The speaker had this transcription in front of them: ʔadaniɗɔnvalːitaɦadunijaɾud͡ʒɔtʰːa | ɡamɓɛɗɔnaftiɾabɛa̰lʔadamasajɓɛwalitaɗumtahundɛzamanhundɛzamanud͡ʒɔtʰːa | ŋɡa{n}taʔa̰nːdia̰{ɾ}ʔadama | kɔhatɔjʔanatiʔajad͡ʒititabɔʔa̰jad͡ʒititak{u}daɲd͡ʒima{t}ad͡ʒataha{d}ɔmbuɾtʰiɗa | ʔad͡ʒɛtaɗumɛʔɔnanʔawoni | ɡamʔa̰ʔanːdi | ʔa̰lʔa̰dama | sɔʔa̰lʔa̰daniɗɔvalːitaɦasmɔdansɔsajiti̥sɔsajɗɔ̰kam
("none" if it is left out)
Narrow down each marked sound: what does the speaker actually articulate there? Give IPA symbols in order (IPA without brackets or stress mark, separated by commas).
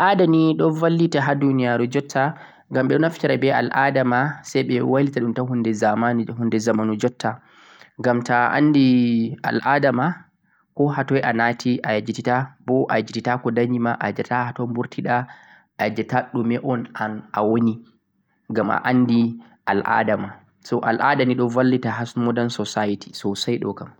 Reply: m, l, ɔ, ʔ, t